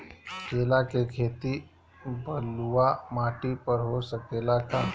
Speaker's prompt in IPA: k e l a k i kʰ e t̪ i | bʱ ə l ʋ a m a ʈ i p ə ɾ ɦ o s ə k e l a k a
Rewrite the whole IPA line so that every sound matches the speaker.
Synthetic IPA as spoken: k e l a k e kʰ e t̪ i | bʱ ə l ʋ a m a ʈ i p ə ɾ ɦ o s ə k e l a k a